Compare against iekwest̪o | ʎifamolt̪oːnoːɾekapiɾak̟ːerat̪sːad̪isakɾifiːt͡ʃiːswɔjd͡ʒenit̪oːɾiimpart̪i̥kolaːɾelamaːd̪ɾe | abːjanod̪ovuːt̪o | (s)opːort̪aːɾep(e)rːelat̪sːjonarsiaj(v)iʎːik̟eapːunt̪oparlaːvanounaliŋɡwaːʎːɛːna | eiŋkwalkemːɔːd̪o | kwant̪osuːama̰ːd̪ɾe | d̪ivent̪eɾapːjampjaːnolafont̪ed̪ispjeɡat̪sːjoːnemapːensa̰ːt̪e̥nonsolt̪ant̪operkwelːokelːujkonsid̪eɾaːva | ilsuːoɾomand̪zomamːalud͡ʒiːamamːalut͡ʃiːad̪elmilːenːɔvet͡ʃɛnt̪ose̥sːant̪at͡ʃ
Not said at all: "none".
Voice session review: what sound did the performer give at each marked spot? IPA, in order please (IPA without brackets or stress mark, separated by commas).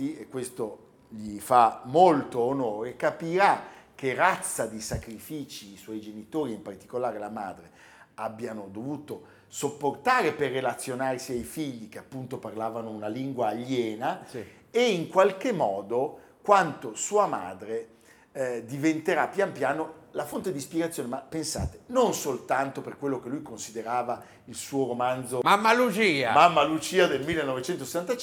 s, e, f